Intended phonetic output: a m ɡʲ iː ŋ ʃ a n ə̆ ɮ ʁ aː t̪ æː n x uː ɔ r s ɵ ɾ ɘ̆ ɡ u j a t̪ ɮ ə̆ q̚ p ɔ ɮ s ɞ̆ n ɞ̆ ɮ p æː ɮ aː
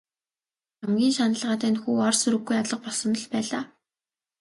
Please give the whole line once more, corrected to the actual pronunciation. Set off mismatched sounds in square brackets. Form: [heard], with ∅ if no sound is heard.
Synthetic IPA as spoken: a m ɡʲ iː [n] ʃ a n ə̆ ɮ ʁ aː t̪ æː n x uː ɔ r s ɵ ɾ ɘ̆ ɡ u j a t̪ ɮ ə̆ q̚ p ɔ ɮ s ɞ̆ n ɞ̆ ɮ p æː ɮ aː